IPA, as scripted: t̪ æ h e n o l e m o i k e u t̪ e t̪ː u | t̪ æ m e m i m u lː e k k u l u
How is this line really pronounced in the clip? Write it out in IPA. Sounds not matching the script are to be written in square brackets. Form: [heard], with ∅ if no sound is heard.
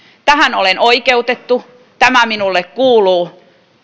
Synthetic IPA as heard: t̪ æ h [æ] n o l e [n] o i k e u t̪ e t̪ː u | t̪ æ m [æ] m i [n] u lː e k k [uː] l [uː]